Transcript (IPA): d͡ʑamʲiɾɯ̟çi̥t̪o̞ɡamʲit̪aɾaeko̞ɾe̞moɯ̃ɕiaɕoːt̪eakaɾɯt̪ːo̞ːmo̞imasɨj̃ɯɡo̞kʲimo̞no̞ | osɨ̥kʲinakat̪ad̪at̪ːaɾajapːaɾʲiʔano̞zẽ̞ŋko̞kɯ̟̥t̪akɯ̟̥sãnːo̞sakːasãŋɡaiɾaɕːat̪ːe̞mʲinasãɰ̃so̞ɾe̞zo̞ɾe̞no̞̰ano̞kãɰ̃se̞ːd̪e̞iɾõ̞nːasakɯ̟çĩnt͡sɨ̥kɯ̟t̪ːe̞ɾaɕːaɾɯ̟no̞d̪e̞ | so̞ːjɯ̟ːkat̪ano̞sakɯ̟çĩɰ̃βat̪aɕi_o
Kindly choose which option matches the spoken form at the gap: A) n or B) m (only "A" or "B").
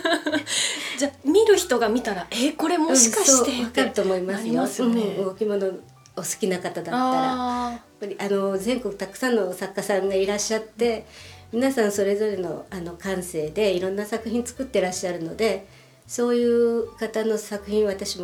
B